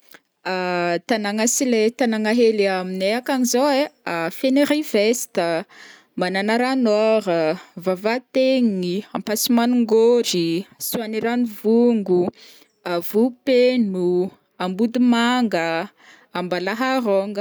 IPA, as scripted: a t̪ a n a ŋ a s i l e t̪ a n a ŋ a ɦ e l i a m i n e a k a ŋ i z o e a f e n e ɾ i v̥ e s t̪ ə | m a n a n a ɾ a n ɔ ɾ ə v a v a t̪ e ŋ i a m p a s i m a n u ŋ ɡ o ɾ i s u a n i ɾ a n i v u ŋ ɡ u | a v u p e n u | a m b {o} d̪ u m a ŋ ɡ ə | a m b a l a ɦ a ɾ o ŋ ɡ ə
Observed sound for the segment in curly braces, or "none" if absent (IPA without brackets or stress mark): u